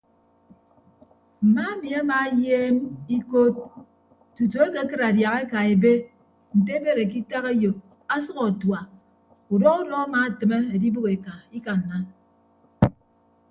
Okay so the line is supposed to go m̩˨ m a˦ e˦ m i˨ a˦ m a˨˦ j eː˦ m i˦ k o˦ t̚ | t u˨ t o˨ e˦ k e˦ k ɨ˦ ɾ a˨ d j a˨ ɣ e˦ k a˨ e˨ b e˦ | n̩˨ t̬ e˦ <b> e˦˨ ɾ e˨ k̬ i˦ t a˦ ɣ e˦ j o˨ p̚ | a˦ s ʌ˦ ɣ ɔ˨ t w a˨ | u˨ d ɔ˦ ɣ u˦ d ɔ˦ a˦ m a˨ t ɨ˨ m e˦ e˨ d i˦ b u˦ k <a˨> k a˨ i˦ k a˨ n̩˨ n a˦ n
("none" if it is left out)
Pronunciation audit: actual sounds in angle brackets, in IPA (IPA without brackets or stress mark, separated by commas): b, e˨